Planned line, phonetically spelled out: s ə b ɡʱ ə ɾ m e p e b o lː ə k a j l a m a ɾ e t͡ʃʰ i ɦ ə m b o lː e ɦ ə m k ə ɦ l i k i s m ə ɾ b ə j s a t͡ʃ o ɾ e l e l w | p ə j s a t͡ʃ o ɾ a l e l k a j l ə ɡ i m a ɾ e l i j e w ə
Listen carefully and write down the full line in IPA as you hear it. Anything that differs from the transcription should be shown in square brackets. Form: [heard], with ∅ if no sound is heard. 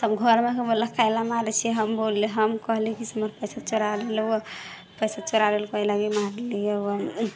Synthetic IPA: s ə b ɡʱ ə ɾ m e [k] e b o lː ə k a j l a m a ɾ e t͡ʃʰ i ɦ ə m b o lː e ɦ ə m k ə ɦ l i k i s m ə ɾ [p] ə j s a t͡ʃ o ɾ [a] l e l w | p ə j s a t͡ʃ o ɾ a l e l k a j l [a] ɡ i m a ɾ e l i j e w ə

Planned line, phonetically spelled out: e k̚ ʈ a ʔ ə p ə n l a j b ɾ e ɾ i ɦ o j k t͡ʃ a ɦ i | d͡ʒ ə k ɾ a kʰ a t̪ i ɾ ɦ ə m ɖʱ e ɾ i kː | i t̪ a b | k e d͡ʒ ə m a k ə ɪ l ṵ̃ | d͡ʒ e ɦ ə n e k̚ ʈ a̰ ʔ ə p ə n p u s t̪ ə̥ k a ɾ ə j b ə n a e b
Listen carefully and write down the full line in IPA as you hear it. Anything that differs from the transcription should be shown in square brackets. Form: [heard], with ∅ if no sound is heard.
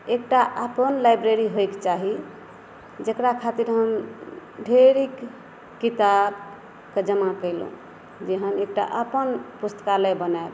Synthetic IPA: e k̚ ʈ a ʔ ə p ə n l a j b ɾ e ɾ i ɦ o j k t͡ʃ a ɦ i | d͡ʒ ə k ɾ a kʰ a t̪ i ɾ ɦ ə m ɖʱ e ɾ i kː | i t̪ a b | k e d͡ʒ ə m a k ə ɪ l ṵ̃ | d͡ʒ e ɦ ə n e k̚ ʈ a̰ ʔ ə p ə n p u s t̪ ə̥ k a [l] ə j b ə n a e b

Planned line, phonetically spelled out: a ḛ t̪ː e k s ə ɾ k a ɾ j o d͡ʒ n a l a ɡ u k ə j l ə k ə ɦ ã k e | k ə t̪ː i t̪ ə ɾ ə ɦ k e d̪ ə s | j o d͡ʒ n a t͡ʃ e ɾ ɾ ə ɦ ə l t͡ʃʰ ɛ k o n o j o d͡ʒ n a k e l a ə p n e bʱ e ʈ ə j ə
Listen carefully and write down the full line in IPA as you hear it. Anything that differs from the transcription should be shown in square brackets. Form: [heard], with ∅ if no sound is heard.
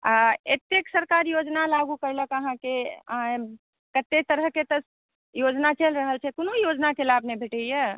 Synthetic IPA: a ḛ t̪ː e k s ə ɾ k a ɾ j o d͡ʒ n a l a ɡ u k ə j l ə k ə ɦ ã k e | k ə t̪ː [e] t̪ ə ɾ ə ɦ k e [t̪] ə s | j o d͡ʒ n a t͡ʃ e [l] ɾ ə ɦ ə l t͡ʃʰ ɛ k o n o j o d͡ʒ n a k e l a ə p n e bʱ e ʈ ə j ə

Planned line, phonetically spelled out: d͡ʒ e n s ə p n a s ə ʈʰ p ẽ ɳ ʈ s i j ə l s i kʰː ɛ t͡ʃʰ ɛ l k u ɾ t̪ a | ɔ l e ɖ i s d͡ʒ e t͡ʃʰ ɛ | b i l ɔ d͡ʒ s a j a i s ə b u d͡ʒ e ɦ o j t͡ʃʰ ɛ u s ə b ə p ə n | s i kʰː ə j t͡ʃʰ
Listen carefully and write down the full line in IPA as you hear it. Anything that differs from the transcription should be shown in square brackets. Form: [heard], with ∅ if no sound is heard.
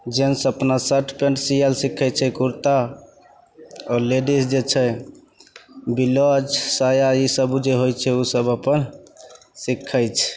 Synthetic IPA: d͡ʒ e n s ə p n a s ə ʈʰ p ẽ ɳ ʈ s i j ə l s i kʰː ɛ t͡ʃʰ ɛ [∅] k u ɾ t̪ a | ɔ l e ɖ i s d͡ʒ e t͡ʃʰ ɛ | b i l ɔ d͡ʒ s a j a i s ə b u d͡ʒ e ɦ o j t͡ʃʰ ɛ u s ə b ə p ə n | s i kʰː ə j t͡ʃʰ

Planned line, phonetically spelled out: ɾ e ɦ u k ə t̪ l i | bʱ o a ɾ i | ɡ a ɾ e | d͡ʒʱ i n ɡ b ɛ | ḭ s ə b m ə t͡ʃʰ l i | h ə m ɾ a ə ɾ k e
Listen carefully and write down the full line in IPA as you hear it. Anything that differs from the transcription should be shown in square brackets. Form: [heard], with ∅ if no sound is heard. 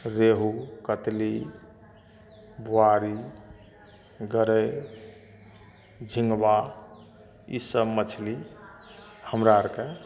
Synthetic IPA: ɾ e ɦ u k ə t̪ l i | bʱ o a ɾ i | ɡ [ə] ɾ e | d͡ʒʱ i [ŋ] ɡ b [a] | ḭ s ə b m ə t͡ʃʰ l i | h ə m ɾ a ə ɾ k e

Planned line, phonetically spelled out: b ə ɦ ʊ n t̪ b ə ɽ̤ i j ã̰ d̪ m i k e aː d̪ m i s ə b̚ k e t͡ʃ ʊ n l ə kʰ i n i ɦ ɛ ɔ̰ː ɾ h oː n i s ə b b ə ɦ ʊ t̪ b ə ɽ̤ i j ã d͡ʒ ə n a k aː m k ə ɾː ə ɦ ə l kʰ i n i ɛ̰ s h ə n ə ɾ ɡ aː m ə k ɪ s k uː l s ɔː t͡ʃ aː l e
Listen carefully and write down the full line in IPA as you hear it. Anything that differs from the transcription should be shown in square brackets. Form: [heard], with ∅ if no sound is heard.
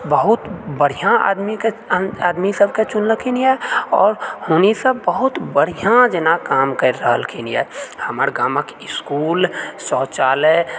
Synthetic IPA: b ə ɦ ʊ [∅] t̪ b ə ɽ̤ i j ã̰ d̪ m i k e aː d̪ m i s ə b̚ k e t͡ʃ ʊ n l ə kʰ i n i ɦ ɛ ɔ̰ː ɾ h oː n i s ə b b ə ɦ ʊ t̪ b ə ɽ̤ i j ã d͡ʒ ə n a k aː m k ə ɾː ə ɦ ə l kʰ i n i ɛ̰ [∅] h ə [m] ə ɾ ɡ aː m ə k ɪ s k uː l s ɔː t͡ʃ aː l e

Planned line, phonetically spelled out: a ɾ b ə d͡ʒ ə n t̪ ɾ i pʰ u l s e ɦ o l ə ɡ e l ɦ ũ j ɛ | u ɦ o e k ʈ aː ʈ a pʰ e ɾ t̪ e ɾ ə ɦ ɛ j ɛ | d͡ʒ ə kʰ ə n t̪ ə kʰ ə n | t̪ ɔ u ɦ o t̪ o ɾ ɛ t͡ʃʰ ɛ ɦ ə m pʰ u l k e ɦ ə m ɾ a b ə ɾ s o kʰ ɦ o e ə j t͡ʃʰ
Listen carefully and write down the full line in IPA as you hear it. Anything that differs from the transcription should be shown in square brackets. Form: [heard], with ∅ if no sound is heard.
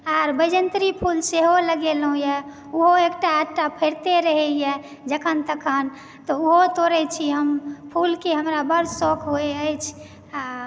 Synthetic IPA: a ɾ b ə d͡ʒ ə n t̪ ɾ i pʰ u l s e ɦ o l ə ɡ e l ɦ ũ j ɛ | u ɦ o e k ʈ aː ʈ a pʰ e ɾ t̪ e ɾ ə ɦ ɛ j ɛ | d͡ʒ ə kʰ ə n t̪ ə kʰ ə n | t̪ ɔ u ɦ o t̪ o ɾ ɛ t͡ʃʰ [i] ɦ ə m pʰ u l k e ɦ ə m ɾ a b ə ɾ s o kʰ ɦ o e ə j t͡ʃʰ

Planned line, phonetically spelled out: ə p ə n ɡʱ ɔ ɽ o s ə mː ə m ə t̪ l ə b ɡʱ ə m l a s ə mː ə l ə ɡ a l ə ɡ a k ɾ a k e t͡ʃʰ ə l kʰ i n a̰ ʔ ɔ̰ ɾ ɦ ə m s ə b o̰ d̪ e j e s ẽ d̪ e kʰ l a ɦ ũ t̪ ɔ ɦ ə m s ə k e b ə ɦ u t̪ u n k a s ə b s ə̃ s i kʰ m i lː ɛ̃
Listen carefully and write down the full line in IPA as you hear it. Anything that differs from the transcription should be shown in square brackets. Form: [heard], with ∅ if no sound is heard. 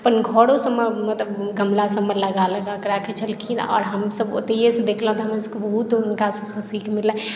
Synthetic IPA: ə p ə n ɡʱ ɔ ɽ o s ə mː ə m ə t̪ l ə b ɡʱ ə m l a s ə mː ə l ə ɡ a l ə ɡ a k ɾ a k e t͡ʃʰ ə l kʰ i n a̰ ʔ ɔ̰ ɾ ɦ ə m s ə b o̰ [t̪] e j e s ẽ d̪ e kʰ l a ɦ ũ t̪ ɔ ɦ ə m s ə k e b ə ɦ u t̪ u n k a s ə b s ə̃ s i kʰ m i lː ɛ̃

